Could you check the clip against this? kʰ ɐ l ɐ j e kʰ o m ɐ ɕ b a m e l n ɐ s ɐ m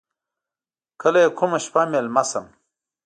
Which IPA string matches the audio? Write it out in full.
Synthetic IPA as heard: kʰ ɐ l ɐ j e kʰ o m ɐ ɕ p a m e l m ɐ s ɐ m